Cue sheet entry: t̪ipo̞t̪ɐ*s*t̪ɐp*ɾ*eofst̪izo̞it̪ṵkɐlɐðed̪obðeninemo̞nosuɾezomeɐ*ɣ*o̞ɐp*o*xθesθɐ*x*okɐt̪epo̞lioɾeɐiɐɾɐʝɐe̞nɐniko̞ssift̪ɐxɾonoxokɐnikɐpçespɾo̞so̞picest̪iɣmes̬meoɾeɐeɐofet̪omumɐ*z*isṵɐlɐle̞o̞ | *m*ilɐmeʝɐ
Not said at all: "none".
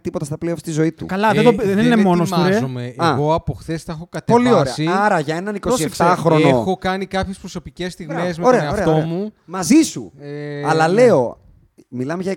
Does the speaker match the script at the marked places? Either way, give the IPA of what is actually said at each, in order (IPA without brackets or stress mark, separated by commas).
s, l, ɣ, o, x, z, m